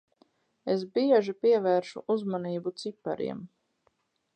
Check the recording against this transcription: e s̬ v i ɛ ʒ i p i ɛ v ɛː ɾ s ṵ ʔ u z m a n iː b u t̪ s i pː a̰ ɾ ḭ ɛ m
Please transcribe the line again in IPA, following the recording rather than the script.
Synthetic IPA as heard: e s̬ b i ɛ ʒ i p i ɛ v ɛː ɾ ʃ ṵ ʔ u z m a n iː b u t̪ s i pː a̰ ɾ ḭ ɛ m

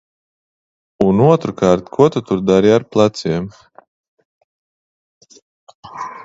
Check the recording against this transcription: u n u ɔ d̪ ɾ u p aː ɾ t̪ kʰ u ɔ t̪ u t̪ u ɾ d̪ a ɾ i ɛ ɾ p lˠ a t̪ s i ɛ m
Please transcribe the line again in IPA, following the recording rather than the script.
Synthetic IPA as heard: u n u ɔ t̪ ɾ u k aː ɾ t̪ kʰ u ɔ t̪ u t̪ u ɾ d̪ a ɾ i a ɾ p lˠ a t̪ s i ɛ m

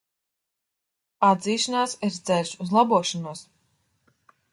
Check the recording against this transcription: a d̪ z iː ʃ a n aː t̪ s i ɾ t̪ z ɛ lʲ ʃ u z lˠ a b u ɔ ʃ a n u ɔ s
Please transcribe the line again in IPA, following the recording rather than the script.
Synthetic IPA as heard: a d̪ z iː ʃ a n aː s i ɾ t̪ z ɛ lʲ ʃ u z lˠ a b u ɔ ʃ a n u ɔ s

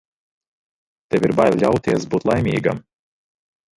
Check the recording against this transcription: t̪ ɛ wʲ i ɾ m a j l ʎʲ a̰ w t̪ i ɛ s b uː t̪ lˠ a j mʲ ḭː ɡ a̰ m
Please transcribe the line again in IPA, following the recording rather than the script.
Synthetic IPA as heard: t̪ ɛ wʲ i ɾ b a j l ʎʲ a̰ w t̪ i ɛ s b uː t̪ lˠ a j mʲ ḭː ɡ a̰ m

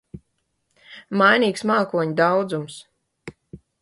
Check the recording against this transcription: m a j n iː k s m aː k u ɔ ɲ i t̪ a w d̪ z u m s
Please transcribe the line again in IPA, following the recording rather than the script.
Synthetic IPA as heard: m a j n iː k s m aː k u ɔ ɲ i d̪ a w d̪ z u m s

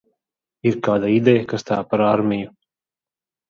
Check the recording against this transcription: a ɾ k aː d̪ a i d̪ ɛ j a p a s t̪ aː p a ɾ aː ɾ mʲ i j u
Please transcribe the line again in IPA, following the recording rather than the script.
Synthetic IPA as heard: i ɾ k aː d̪ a i d̪ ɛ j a k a s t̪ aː p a ɾ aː ɾ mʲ i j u

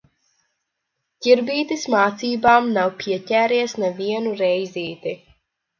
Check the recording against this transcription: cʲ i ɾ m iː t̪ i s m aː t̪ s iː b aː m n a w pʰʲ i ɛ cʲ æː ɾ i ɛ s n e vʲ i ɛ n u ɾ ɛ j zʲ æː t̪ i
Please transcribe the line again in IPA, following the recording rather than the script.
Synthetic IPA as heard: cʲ i ɾ b iː t̪ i s m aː t̪ s iː b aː m n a w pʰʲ i ɛ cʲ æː ɾ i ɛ s n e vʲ i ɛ n u ɾ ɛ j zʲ iː t̪ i

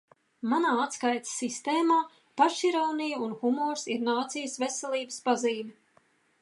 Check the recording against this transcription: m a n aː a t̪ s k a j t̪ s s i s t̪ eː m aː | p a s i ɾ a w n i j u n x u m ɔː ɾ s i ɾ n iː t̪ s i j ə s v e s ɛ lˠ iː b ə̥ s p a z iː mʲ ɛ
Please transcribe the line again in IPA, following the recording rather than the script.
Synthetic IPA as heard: m a n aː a t̪ s k a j t̪ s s i s t̪ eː m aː | p a ʃ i ɾ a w n i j u n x u m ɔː ɾ s i ɾ n aː t̪ s i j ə s v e s ɛ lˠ iː b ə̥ s p a z iː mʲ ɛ

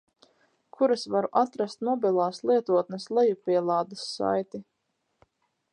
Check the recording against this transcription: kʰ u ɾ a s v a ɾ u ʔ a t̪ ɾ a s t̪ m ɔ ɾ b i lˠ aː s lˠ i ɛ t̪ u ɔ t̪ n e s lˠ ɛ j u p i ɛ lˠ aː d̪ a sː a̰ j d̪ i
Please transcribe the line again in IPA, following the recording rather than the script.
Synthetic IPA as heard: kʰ u ɾ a s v a ɾ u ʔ a t̪ ɾ a s t̪ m ɔ b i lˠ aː s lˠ i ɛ t̪ u ɔ t̪ n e s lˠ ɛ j u p i ɛ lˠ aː d̪ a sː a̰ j t̪ i

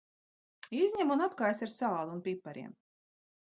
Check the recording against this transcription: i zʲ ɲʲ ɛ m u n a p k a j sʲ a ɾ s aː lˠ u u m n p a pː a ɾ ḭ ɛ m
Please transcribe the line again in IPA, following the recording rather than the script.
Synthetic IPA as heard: i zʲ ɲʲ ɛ m u n a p k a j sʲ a ɾ s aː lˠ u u n p i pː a ɾ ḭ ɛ m

